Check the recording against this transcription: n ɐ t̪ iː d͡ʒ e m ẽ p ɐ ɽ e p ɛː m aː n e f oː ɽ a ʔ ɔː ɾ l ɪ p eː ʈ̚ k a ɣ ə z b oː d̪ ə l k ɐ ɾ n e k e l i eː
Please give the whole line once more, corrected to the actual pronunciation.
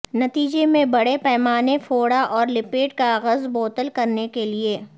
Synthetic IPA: n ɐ t̪ iː d͡ʒ e m ẽ b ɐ ɽ e p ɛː m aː n e f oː ɽ a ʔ ɔː ɾ l ɪ p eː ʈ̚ k a ɣ ə z b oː t̪ ə l k ɐ ɾ n e k e l i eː